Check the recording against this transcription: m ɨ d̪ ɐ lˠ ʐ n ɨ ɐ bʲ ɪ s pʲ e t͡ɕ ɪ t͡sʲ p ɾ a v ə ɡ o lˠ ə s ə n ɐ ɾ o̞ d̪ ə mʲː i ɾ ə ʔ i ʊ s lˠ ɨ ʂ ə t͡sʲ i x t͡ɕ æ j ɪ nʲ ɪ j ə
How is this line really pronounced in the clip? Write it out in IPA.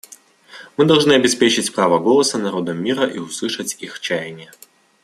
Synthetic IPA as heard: m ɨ d̪ ɐ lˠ ʐ n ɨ ɐ bʲ ɪ s pʲ e t͡ɕ ɪ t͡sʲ p ɾ a v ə ɡ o lˠ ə s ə n ɐ ɾ o̞ d̪ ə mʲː i ɾ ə ʔ i ʊ s lˠ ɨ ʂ ə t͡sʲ i x t͡ɕ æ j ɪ nʲ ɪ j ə